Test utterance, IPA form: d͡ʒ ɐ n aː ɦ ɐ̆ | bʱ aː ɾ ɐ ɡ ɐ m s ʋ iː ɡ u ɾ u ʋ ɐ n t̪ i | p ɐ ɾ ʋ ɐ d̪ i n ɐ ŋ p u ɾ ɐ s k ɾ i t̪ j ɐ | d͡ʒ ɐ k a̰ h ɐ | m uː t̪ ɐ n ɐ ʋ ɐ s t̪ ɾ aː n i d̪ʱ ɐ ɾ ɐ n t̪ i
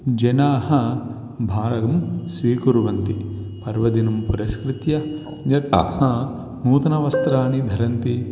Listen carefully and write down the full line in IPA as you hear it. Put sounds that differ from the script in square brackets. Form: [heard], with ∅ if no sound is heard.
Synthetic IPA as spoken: d͡ʒ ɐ n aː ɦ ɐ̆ | bʱ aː ɾ ɐ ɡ ɐ m s ʋ iː [k] u ɾ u ʋ ɐ n t̪ i | p ɐ ɾ ʋ ɐ d̪ i n ɐ [m] p u ɾ ɐ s k ɾ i t̪ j ɐ | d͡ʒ ɐ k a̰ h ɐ | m uː t̪ ɐ n ɐ ʋ ɐ s t̪ ɾ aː n i d̪ʱ ɐ ɾ ɐ n t̪ i